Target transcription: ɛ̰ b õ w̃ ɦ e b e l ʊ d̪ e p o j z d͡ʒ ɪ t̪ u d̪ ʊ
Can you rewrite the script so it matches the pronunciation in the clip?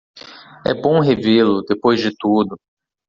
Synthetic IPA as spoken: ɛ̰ b õ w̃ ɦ e v e l ʊ d̪ e p o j z d͡ʒ ɪ t̪ u d̪ ʊ